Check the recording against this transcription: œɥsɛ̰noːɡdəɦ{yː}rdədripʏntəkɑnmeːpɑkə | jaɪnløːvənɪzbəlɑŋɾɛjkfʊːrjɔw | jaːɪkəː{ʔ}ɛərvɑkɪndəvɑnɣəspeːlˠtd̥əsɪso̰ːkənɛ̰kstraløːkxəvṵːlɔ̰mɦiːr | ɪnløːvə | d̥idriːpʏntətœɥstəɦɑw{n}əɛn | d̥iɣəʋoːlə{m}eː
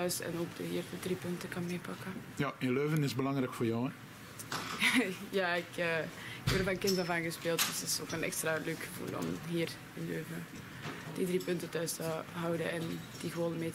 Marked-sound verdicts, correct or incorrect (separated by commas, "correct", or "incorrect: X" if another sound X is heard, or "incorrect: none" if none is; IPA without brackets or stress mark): incorrect: iː, incorrect: k, incorrect: d, correct